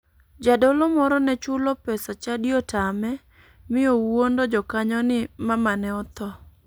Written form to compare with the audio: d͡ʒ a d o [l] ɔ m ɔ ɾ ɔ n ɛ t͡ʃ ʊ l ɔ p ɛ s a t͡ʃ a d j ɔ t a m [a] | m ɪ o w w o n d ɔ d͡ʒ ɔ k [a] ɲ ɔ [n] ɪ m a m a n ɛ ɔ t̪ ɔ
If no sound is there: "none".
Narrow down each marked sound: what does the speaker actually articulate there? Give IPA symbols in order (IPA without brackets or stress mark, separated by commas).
l, ɛ, a, n